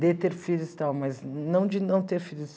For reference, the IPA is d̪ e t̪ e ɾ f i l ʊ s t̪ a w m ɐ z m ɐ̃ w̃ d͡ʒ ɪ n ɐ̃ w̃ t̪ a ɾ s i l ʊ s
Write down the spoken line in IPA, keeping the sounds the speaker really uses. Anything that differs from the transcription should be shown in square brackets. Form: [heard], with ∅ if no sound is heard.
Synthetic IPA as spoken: d̪ e t̪ e ɾ f i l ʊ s t̪ a w m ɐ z [n] ɐ̃ w̃ d͡ʒ ɪ n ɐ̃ w̃ t̪ [e] ɾ [f] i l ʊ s